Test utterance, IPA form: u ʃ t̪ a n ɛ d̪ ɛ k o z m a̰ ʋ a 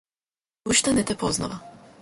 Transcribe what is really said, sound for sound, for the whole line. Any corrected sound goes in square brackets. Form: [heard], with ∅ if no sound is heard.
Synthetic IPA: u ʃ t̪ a n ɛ [t̪] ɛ [p] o z [n] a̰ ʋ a